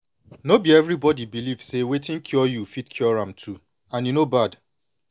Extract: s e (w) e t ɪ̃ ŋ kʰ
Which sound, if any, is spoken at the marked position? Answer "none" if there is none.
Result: w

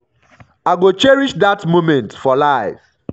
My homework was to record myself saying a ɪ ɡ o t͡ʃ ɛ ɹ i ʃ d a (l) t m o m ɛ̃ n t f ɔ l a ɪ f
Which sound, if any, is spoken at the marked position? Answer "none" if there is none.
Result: none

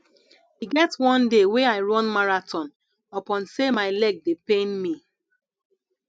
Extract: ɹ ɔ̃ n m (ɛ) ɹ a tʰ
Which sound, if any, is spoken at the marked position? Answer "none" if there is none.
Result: a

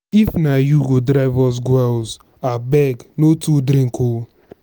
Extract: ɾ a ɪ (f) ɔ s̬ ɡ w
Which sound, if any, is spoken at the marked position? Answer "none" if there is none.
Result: v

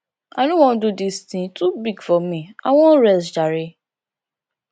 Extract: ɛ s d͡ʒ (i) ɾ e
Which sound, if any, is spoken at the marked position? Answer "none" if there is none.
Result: a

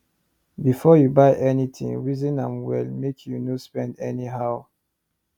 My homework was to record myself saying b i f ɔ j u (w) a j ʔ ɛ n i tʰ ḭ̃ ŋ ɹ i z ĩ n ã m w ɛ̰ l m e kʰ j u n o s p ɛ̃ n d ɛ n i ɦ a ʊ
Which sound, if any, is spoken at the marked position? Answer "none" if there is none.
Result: b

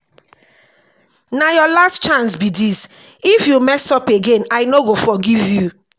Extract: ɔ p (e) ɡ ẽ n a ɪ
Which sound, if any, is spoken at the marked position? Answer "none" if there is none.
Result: e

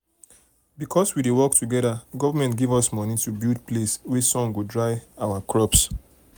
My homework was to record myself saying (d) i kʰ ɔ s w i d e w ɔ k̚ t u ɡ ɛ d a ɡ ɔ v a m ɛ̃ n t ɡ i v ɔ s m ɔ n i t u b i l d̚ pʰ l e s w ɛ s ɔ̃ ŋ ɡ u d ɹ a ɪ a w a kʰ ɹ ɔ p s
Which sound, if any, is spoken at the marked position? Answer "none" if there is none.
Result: b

